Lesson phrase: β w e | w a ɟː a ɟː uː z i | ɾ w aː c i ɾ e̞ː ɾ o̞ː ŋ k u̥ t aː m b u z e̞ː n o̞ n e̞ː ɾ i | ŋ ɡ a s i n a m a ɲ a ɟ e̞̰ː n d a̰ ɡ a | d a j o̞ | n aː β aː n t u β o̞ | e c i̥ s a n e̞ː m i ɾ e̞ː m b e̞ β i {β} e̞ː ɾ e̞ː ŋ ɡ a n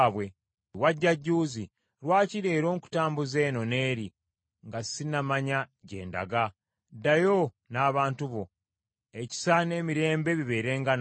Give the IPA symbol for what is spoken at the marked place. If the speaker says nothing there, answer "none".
β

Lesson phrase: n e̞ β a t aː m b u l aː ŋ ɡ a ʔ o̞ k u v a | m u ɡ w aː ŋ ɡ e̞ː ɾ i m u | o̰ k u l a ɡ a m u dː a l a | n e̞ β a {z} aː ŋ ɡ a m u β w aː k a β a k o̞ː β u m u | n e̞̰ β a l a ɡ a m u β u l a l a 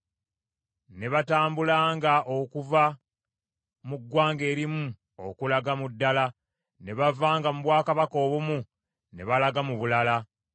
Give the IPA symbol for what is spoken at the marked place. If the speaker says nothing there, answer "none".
v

